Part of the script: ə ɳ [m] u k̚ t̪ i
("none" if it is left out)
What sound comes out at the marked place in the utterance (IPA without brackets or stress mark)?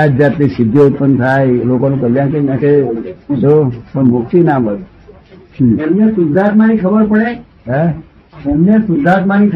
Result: m